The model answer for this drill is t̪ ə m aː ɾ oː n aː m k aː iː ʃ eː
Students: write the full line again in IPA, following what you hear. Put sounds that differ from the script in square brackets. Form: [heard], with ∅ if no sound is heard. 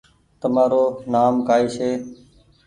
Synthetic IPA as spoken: t̪ ə m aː ɾ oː n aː m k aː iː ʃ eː